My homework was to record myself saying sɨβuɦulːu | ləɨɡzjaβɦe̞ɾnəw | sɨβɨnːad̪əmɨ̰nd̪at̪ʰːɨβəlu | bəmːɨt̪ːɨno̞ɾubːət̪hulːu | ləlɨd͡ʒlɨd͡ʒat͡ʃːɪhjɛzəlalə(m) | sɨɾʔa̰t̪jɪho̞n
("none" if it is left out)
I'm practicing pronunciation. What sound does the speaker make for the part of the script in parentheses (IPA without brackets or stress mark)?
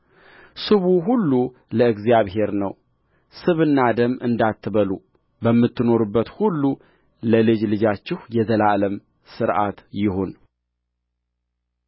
m